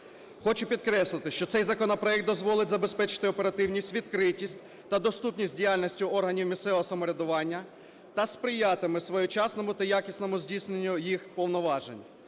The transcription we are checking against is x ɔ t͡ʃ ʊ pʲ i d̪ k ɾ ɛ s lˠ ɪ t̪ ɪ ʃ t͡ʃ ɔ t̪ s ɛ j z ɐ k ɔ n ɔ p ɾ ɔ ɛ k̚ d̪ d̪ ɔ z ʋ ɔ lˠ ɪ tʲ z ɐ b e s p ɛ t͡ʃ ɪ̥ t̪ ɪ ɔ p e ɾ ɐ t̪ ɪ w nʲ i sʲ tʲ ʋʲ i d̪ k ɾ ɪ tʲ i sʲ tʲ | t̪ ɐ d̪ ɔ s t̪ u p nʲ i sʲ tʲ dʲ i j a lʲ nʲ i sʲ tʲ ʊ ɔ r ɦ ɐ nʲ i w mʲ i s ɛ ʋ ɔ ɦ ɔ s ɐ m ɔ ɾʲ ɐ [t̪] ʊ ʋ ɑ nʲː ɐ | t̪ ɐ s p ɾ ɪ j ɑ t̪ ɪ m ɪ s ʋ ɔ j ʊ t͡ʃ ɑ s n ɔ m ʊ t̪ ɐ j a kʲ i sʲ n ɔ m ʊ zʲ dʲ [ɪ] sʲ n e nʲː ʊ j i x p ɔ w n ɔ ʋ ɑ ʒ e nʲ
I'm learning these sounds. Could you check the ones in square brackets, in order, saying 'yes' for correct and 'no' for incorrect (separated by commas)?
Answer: no, no